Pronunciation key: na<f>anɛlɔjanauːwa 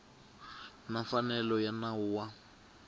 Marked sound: correct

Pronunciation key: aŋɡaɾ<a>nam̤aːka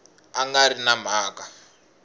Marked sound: incorrect: i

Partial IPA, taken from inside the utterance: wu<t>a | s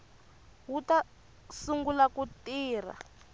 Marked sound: correct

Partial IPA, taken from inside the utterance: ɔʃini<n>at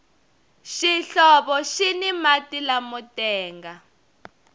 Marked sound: incorrect: m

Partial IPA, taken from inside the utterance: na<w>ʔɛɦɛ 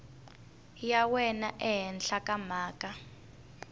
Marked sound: incorrect: none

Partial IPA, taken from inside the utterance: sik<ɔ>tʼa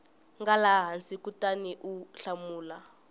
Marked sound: incorrect: u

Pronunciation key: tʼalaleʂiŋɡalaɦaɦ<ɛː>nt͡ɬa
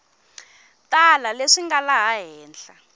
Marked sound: correct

